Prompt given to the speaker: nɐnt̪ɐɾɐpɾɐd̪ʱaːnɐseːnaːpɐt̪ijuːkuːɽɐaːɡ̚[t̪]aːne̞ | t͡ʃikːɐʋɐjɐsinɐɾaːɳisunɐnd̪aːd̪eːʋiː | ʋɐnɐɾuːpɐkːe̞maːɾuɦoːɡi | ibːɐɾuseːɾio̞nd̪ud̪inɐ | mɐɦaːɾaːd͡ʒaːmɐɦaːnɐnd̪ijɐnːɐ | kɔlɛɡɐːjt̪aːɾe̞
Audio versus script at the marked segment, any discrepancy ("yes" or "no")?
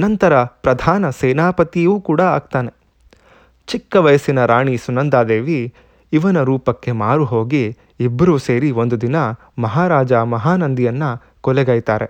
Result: no